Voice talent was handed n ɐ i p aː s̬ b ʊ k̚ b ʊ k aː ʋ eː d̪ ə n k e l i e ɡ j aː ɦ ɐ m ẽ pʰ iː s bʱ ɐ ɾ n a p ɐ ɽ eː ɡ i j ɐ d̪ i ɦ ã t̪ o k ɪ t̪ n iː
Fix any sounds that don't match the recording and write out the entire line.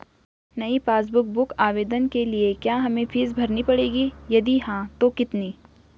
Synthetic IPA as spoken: n ɐ i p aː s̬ b ʊ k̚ b ʊ k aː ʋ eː d̪ ə n k e l i e k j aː ɦ ɐ m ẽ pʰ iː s bʱ ɐ ɾ n i p ɐ ɽ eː ɡ i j ɐ d̪ i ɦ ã t̪ o k ɪ t̪ n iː

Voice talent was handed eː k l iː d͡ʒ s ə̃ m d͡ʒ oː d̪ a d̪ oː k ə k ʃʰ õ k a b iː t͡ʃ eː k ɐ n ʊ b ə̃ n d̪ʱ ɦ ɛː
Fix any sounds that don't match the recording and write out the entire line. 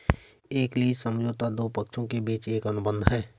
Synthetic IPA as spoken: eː k l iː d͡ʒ s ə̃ m d͡ʒ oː t̪ a d̪ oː p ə k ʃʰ õ k e b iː t͡ʃ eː k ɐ n ʊ b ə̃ n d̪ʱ ɦ ɛː

